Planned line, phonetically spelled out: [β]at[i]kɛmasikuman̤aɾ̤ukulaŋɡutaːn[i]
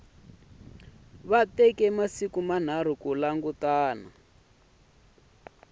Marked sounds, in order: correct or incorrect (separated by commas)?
correct, incorrect, incorrect